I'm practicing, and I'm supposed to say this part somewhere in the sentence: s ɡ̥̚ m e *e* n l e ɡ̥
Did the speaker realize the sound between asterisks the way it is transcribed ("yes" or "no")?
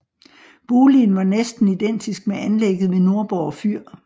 no